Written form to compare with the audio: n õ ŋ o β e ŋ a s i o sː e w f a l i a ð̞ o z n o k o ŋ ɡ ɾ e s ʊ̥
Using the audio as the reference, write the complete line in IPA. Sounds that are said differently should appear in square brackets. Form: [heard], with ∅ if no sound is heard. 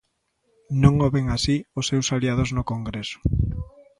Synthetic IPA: n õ ŋ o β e ŋ a s i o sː e w [s] a l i a ð̞ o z n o k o ŋ ɡ ɾ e s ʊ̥